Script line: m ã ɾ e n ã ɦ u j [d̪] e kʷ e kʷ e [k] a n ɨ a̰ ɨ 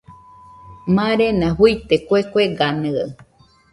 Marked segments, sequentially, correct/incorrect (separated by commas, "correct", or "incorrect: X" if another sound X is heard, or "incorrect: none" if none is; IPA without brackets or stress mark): incorrect: t̪, incorrect: ɡ